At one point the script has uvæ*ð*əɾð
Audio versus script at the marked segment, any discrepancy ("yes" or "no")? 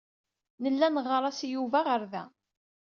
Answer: yes